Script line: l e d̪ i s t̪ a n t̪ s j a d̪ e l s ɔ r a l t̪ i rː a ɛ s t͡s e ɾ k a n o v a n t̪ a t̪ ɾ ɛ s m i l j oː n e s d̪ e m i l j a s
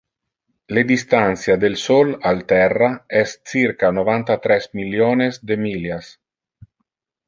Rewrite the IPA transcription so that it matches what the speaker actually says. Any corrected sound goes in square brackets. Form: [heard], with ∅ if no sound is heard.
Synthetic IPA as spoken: l e d̪ i s t̪ a n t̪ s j a d̪ e l s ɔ [l] a l t̪ [ɛ] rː a ɛ s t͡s [i] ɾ k a n o v a n t̪ a t̪ ɾ ɛ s m i l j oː n e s d̪ e m i l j a s